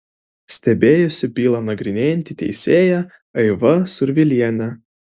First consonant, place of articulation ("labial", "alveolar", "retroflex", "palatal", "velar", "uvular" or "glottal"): alveolar